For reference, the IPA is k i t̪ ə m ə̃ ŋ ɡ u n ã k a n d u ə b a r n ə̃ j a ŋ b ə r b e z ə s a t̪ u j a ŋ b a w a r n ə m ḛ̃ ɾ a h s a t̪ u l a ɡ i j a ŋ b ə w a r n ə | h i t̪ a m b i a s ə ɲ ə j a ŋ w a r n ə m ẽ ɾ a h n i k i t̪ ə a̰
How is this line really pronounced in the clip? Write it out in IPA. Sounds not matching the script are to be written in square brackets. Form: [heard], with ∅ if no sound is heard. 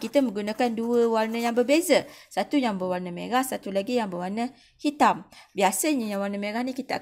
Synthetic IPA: k i t̪ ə m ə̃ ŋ ɡ u n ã k a n d u ə [w] a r n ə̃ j a ŋ b ə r b e z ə s a t̪ u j a ŋ b [ə] w a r n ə m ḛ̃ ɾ a h s a t̪ u l a ɡ i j a ŋ b ə w a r n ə | h i t̪ a m b i a s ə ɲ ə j a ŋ w a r n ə m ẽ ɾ a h n i k i t̪ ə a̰